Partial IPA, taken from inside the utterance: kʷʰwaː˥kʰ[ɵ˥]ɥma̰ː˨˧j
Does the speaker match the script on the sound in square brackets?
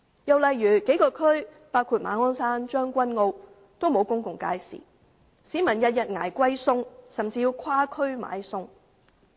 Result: yes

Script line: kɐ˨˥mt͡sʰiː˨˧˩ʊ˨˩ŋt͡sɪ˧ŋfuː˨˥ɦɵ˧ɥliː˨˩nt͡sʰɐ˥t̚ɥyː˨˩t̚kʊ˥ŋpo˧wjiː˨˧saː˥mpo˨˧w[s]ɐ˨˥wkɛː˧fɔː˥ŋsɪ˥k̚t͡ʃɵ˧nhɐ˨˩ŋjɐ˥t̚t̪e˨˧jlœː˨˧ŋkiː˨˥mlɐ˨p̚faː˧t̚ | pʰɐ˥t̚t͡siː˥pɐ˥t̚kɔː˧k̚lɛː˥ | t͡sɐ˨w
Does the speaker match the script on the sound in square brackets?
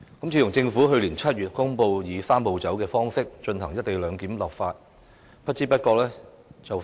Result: no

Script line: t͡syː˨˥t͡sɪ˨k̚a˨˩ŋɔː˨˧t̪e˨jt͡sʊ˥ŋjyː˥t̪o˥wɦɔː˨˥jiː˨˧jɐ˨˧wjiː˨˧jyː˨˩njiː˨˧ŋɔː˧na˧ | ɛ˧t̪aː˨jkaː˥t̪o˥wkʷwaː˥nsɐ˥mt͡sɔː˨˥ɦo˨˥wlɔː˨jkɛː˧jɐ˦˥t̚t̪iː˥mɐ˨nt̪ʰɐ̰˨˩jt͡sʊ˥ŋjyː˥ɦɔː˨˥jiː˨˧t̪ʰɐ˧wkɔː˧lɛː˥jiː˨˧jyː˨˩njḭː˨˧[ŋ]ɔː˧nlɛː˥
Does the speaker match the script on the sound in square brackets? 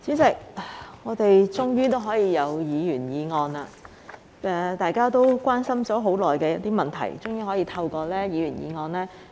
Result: yes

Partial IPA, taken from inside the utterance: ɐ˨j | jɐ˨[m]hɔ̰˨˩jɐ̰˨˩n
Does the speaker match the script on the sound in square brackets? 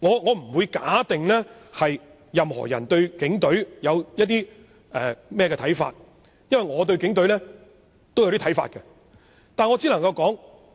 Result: yes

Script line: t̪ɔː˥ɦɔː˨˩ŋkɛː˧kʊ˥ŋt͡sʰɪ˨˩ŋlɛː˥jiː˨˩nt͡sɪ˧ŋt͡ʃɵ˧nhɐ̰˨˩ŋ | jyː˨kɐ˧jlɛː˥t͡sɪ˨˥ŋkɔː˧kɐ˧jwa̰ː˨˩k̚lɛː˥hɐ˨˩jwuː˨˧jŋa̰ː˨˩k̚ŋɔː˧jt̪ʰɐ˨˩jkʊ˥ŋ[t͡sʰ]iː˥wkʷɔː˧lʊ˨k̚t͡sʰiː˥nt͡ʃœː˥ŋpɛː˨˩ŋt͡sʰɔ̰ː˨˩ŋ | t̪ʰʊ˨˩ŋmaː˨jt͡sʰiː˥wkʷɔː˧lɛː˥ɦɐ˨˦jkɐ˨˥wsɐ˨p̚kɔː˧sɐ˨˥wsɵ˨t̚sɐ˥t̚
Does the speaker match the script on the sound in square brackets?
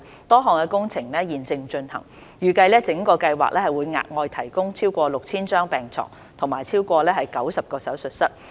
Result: yes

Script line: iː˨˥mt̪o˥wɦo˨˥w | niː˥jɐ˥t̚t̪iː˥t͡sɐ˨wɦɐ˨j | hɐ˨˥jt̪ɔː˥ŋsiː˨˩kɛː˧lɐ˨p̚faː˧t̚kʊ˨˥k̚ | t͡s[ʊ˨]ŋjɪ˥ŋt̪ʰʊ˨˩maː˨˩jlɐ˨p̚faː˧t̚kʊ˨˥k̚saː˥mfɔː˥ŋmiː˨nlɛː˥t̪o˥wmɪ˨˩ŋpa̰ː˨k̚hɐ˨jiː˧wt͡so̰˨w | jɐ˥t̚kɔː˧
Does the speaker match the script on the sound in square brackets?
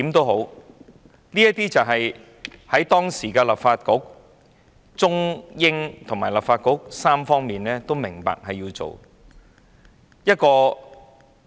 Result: no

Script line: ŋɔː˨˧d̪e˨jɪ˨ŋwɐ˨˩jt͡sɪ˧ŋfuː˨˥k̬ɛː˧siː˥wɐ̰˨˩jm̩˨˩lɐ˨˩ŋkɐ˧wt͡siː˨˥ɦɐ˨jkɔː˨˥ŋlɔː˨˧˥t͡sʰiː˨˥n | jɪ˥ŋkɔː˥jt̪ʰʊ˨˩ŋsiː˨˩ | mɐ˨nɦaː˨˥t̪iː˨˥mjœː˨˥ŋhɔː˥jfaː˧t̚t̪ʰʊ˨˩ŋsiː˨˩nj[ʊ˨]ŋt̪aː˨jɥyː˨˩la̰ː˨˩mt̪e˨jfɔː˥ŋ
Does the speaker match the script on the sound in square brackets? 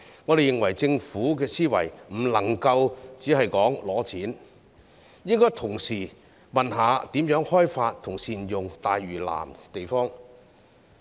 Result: yes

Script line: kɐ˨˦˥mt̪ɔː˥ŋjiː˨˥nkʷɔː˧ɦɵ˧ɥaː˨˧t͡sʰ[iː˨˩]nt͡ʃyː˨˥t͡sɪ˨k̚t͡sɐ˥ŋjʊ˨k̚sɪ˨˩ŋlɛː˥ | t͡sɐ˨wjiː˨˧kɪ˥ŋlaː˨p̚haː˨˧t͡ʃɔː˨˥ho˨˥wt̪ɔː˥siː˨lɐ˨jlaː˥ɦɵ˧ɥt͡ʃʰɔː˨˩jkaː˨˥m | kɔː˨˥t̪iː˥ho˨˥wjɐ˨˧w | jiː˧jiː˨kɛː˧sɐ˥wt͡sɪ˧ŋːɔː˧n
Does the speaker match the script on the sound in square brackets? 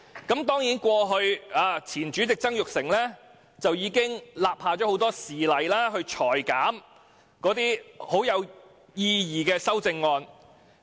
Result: yes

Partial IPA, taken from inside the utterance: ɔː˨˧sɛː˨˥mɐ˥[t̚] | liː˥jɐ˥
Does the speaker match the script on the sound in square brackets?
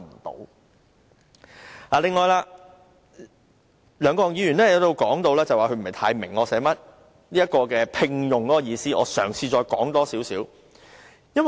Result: yes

